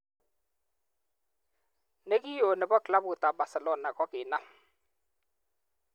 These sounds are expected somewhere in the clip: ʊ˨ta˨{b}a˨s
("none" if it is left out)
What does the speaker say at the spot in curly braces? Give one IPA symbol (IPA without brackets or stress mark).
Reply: b